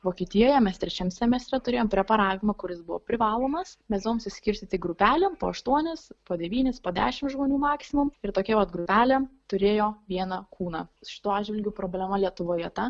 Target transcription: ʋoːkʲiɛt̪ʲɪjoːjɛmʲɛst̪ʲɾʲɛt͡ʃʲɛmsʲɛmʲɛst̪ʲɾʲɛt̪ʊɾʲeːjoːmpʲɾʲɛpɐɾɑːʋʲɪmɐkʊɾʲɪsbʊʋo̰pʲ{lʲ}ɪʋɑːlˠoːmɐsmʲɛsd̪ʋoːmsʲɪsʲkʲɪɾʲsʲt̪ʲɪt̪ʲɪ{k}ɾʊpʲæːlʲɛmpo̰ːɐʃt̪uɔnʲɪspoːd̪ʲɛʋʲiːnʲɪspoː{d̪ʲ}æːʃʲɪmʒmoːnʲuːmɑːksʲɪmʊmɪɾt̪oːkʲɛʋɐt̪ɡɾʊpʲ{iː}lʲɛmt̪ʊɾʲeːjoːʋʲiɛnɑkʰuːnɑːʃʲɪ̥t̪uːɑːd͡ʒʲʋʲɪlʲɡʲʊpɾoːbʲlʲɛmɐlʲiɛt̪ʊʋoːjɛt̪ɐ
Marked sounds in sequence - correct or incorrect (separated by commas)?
incorrect, incorrect, correct, incorrect